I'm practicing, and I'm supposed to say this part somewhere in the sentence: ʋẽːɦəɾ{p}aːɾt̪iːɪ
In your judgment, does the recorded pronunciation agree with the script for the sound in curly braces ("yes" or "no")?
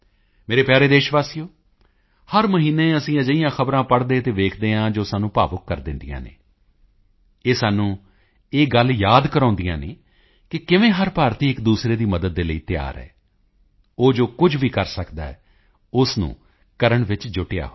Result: yes